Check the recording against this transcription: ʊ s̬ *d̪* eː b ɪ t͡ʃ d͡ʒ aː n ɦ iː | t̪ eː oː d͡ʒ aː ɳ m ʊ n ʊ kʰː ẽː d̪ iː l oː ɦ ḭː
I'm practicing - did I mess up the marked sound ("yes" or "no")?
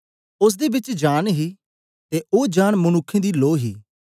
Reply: no